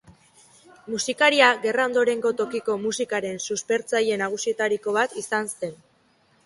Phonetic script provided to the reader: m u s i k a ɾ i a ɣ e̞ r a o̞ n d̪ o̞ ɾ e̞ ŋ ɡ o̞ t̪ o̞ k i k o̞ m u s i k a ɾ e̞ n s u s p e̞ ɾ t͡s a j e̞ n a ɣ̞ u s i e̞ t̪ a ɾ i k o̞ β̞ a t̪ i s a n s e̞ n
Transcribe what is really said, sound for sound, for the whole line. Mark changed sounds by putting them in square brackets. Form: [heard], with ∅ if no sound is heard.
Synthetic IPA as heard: m u s i k a ɾ i a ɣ e̞ r a o̞ n d̪ o̞ ɾ e̞ ŋ ɡ o̞ t̪ o̞ k i k o̞ m u s i k a ɾ e̞ n s u s p e̞ ɾ t͡s a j e̞ n a ɣ̞ u s i e̞ t̪ a ɾ i k o̞ β̞ a t̪ i s a n s e̞ n

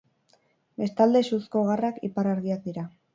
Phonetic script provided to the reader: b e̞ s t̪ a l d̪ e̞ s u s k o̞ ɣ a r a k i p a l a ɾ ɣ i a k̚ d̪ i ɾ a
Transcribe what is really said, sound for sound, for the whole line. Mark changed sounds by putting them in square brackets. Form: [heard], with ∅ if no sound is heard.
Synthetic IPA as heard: b e̞ s t̪ a l d̪ e̞ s u s k o̞ ɣ a r a k i p a [ɾ] a ɾ ɣ i a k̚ d̪ i ɾ a

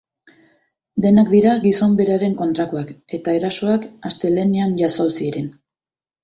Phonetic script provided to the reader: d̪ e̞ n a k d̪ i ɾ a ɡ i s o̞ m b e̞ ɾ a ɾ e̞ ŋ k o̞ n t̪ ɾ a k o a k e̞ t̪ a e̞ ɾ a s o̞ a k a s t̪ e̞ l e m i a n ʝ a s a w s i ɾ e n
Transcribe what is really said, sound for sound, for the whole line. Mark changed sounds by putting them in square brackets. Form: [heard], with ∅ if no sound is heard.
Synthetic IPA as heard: d̪ e̞ n a k d̪ i ɾ a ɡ i s o̞ m b e̞ ɾ a ɾ e̞ ŋ k o̞ n t̪ ɾ a k o a k e̞ t̪ a e̞ ɾ a s o̞ a k a s t̪ e̞ l e [n] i a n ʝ a s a w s i ɾ e n

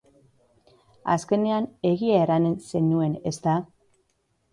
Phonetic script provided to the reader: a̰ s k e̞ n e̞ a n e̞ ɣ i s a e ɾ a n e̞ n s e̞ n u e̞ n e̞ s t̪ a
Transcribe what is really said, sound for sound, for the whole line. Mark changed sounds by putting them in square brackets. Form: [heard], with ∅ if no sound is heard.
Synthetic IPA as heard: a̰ s k e̞ n e̞ a n e̞ ɣ i [∅] a e ɾ a n e̞ n s e̞ n u e̞ n e̞ s t̪ a

